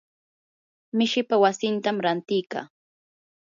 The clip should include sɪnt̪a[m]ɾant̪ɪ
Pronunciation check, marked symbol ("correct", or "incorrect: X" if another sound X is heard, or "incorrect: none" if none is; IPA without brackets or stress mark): correct